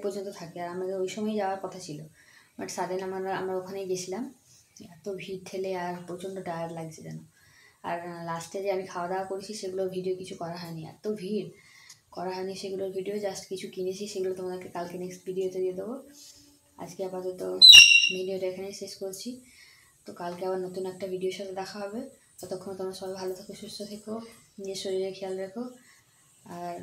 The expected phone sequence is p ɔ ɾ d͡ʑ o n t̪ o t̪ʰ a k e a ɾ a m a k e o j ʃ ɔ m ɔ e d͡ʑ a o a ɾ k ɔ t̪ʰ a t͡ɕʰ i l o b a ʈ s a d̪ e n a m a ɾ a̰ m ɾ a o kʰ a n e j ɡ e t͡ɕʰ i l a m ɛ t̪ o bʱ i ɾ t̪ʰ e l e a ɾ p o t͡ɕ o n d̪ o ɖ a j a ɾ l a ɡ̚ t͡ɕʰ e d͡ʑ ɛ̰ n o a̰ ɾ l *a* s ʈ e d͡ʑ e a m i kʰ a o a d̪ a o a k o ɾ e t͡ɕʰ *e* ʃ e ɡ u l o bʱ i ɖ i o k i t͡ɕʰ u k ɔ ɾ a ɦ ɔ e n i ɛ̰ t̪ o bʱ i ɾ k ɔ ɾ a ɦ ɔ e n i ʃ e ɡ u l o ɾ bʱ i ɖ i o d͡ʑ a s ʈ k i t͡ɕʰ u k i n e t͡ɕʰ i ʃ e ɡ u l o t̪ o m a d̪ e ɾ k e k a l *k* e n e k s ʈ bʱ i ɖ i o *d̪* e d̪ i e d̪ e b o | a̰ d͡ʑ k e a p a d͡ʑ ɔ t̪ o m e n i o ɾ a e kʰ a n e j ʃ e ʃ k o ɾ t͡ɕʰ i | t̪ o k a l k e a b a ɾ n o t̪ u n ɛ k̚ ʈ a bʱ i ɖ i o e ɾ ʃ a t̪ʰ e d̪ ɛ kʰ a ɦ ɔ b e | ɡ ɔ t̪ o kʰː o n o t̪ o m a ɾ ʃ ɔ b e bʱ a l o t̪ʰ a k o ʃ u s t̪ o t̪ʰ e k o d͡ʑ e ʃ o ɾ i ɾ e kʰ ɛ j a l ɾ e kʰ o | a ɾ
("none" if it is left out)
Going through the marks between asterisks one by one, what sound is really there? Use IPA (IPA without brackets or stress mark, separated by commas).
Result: a, i, k, t̪